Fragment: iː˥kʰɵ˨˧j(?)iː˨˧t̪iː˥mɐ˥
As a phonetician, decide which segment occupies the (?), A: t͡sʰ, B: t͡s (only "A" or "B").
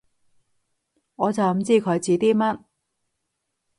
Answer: B